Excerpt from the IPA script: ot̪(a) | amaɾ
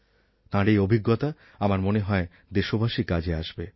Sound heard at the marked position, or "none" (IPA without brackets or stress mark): a